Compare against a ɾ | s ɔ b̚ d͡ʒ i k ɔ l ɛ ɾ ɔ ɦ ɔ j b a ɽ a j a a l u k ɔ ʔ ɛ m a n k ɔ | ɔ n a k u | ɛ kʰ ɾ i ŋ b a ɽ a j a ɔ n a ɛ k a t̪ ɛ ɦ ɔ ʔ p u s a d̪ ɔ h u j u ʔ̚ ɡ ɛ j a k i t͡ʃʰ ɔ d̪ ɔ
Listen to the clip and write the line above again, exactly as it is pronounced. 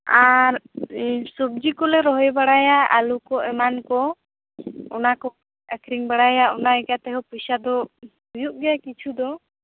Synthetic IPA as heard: a ɾ | s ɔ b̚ d͡ʒ i k ɔ l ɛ ɾ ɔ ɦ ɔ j b a ɽ a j a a l u k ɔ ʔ ɛ m a n k ɔ | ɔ n a k ɔ | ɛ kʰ ɾ i ŋ b a ɽ a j a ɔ n a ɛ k a t̪ ɛ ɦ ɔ p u s a d̪ ɔ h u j u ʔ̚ ɡ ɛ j a k i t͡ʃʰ u d̪ ɔ

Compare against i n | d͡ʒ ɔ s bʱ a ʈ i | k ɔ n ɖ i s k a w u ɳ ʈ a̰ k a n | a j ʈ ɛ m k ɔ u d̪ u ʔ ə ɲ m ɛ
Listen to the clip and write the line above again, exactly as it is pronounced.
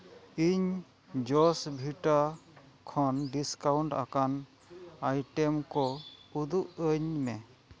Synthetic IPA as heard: i ɲ | d͡ʒ ɔ s bʱ i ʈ a | kʰ ɔ n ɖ i s k a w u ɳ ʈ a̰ k a n | a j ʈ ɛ m k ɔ u d̪ u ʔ ə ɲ m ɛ

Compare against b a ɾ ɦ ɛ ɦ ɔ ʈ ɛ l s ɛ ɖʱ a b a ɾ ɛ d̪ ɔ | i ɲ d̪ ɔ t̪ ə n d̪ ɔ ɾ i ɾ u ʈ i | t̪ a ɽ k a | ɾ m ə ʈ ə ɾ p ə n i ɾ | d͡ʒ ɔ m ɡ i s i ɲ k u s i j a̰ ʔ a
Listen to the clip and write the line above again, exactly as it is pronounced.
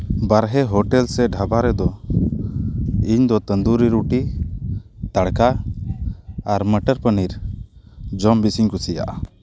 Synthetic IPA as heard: b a ɾ ɦ ɛ ɦ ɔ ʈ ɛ l s ɛ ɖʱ a b a ɾ ɛ d̪ ɔ | i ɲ d̪ ɔ t̪ ə n d̪ u ɾ i ɾ u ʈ i | t̪ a ɽ k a | ɾ m ə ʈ ə ɾ p ə n i ɾ | d͡ʒ ɔ m b i s i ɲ k u s i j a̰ ʔ a

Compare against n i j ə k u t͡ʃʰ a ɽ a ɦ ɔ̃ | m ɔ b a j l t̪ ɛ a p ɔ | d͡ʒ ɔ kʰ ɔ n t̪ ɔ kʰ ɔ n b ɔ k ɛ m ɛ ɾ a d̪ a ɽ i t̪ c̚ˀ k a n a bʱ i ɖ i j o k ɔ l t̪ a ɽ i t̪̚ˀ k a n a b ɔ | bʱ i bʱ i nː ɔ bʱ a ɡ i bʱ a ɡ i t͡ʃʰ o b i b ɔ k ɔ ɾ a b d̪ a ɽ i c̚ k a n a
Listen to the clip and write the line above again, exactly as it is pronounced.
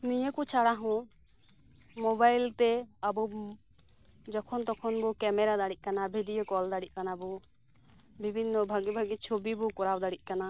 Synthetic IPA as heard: n i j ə k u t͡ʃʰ a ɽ a ɦ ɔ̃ | m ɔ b a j l t̪ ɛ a b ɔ | d͡ʒ ɔ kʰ ɔ n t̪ ɔ kʰ ɔ n b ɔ k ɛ m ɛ ɾ a d̪ a ɽ i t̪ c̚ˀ k a n a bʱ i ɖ i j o k ɔ l d̪ a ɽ i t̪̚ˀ k a n a b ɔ | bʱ i bʱ i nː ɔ bʱ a ɡ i bʱ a ɡ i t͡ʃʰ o b i b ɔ k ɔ ɾ a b d̪ a ɽ i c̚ k a n a

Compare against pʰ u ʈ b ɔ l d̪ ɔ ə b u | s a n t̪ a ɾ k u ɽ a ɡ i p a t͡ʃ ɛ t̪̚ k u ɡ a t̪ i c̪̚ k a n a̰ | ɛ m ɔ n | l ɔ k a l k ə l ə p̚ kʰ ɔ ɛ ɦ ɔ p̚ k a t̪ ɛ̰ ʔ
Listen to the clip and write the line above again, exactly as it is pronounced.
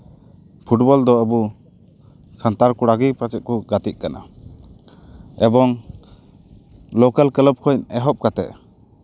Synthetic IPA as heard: pʰ u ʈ b ɔ l d̪ ɔ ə b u | s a n t̪ a ɾ k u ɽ a ɡ i p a t͡ʃ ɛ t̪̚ k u ɡ a t̪ i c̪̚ k a n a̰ | ɛ b ɔ ŋ | l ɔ k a l k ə l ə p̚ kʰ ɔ ɛ ɦ ɔ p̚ k a t̪ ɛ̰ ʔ

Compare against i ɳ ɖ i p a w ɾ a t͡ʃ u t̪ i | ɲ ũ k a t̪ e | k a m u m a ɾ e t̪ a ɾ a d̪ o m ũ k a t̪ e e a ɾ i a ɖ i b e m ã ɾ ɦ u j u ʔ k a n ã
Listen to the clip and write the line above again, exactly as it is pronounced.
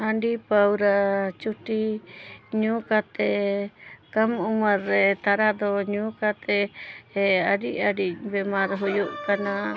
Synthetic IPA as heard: a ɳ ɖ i p a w ɾ a t͡ʃ u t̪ i | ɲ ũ k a t̪ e | k a m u m a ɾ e t̪ a ɾ a d̪ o ɲ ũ k a t̪ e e a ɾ i a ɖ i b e m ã ɾ ɦ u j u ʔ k a n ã

